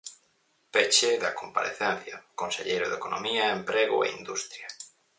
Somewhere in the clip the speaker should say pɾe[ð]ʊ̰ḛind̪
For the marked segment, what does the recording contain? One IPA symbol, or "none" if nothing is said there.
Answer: ɣ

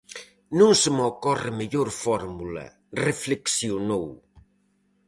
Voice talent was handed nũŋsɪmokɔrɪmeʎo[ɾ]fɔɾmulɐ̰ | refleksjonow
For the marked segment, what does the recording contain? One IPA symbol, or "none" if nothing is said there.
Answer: ɾ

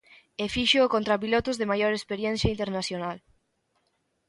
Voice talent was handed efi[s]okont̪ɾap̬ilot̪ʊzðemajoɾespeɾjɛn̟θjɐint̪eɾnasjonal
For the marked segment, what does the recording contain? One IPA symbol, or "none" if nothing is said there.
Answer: ʃ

